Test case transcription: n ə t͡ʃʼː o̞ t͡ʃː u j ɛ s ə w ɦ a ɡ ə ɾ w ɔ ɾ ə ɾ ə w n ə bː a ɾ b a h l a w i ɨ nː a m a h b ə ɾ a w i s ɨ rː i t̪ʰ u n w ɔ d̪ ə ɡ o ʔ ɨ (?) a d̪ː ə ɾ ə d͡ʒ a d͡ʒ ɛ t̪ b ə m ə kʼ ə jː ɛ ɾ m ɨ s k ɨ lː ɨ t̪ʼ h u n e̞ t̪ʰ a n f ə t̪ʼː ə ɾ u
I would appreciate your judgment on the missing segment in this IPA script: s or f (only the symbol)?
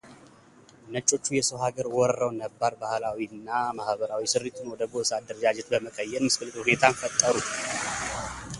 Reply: s